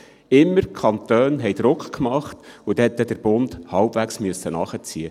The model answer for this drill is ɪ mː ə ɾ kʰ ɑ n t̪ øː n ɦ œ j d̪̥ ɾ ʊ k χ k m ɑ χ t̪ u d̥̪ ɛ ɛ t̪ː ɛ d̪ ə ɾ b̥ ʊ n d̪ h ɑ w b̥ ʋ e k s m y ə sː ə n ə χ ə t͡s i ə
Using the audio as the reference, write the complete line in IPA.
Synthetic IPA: ɪ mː ə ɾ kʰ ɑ n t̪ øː n ɦ ɛ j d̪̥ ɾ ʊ k χ k m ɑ χ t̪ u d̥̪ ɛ ɛ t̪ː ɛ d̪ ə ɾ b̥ ʊ n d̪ h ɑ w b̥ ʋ æ k s m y ə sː ə n ɑ χ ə t͡s i ə